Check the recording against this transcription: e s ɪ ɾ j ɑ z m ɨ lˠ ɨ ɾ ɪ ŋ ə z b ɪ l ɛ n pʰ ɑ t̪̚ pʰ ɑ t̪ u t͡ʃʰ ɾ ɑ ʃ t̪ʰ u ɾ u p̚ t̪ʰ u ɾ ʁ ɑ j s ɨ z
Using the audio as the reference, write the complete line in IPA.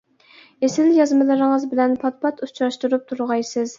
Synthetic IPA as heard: e s ɪ l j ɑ z m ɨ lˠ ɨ ɾ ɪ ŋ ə z b ɪ l ɛ n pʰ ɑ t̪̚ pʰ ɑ t̪ u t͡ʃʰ ɾ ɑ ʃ t̪ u ɾ u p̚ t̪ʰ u ɾ ʁ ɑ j s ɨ z